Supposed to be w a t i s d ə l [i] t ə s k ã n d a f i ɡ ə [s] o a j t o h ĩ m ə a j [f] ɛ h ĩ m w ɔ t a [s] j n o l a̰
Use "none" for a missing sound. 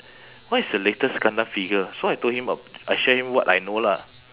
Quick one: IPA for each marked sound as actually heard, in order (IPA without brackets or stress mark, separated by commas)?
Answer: e, s, ʃ, none